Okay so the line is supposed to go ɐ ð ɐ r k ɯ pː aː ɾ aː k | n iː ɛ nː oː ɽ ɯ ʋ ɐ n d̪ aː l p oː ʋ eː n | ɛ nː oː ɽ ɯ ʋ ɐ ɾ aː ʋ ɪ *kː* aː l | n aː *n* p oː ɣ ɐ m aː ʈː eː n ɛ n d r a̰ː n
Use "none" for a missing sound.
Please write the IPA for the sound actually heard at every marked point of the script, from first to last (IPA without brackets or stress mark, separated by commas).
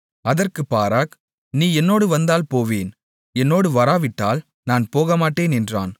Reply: ʈː, n